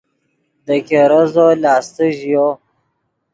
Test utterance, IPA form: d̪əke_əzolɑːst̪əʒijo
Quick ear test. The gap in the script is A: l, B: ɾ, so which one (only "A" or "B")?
B